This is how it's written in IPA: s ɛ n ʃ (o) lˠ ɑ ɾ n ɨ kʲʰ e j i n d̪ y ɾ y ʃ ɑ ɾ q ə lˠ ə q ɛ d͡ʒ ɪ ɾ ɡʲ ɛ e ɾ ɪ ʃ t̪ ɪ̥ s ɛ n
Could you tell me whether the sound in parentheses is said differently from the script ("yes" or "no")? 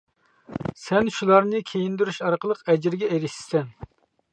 yes